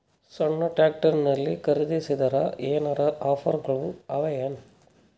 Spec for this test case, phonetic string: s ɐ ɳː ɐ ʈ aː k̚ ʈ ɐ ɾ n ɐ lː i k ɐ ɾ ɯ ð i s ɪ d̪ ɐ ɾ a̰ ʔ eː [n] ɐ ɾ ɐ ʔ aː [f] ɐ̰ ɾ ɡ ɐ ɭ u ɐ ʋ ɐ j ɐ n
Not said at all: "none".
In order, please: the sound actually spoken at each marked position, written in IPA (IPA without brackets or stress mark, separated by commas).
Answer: n, f